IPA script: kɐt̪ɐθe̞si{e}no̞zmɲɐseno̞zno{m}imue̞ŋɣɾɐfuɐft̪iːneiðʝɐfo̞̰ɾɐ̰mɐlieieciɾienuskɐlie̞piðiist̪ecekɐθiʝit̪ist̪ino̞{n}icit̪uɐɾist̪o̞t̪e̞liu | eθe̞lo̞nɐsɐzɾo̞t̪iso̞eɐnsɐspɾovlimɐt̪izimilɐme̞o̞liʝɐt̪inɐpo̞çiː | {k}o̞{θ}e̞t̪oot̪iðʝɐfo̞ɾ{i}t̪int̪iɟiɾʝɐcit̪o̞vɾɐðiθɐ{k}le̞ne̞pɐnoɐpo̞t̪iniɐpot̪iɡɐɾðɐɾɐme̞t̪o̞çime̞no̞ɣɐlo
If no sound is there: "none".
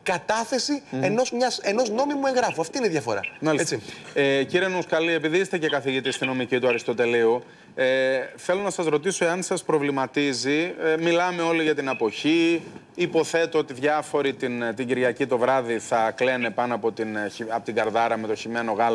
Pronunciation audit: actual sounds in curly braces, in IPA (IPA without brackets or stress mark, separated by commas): e, m, m, p, θ, i, k